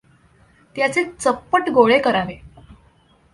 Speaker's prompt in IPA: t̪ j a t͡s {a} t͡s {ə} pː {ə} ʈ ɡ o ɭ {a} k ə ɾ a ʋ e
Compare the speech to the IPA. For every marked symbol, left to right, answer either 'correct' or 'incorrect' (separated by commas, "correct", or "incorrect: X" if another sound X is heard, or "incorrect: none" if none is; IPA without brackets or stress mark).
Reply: incorrect: e, correct, correct, incorrect: e